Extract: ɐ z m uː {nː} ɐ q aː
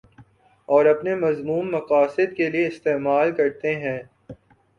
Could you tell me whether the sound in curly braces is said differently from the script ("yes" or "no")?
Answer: yes